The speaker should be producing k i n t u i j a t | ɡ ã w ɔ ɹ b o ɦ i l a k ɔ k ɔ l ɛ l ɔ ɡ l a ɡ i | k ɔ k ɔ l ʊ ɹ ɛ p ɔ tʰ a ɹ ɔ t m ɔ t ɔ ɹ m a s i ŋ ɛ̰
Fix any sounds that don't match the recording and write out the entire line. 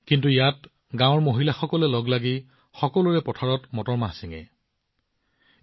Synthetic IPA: k i n t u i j a t | ɡ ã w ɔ ɹ m o ɦ i l a x ɔ k ɔ l ɛ l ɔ ɡ l a ɡ i | x ɔ k ɔ l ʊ ɹ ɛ p ɔ tʰ a ɹ ɔ t m ɔ t ɔ ɹ m a s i ŋ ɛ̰